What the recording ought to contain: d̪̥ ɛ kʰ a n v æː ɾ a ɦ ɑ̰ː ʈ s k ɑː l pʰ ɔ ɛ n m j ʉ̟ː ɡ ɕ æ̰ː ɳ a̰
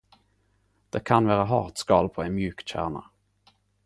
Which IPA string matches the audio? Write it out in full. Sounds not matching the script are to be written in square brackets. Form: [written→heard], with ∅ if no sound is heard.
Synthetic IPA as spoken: d̪̥ ɛ kʰ a n v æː ɾ a ɦ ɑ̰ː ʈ s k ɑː l pʰ ɔ ɛ n m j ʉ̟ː [ɡ→k] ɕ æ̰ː ɳ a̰